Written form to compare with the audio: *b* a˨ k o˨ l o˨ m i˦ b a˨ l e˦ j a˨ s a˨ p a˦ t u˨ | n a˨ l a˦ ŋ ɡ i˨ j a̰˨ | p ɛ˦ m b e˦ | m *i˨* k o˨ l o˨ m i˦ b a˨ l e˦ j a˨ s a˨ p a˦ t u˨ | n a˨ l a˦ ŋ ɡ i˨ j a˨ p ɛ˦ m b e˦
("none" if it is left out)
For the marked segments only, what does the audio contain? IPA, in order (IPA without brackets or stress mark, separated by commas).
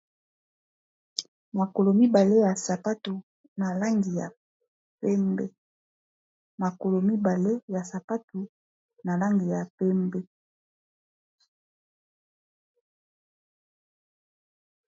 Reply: m, a˨